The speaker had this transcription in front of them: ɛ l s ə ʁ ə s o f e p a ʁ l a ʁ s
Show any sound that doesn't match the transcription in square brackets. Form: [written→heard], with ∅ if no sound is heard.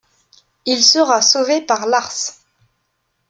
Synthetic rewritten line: [ɛ→i] l s ə ʁ [ə→a] s o [f→v] e p a ʁ l a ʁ s